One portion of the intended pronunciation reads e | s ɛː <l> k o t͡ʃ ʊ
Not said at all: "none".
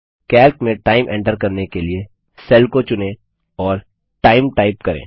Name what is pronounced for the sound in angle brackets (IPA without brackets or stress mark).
l